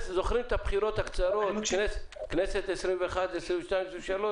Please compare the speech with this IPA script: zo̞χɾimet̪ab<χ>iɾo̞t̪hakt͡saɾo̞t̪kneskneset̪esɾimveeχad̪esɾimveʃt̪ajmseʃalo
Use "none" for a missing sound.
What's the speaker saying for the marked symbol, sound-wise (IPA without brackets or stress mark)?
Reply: χ